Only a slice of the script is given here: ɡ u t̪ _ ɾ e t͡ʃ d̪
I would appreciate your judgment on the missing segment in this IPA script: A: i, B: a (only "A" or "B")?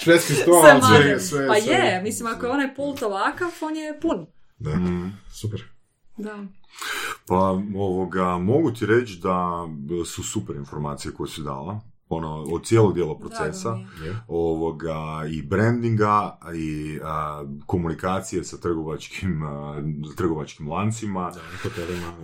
A